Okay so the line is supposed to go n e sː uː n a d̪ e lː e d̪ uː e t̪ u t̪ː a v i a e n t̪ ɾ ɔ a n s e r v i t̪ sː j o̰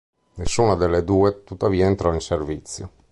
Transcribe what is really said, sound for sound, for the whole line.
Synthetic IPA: n e sː uː n a d̪ e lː e d̪ uː e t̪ u t̪ː a v iː a e n t̪ ɾ ɔ i n s e r v i t̪ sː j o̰